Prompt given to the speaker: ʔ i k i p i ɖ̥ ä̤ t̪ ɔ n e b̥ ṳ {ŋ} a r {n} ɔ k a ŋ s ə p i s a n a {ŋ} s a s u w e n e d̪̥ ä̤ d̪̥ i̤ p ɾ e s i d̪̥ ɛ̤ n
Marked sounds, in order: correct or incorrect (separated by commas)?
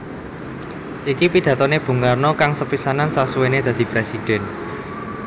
correct, correct, incorrect